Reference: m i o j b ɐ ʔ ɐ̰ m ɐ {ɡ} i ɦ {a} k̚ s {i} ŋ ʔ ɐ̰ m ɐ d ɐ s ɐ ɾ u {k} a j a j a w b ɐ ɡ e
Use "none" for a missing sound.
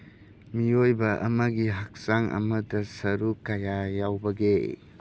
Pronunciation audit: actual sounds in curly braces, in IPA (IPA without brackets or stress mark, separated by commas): ɡ, a, a, k